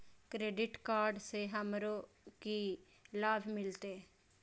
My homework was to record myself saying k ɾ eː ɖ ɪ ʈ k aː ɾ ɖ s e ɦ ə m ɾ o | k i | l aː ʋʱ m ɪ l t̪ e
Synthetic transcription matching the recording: k ɾ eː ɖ ɪ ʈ k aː ɾ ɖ s e ɦ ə m ɾ o | k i | l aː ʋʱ m ɪ l t̪ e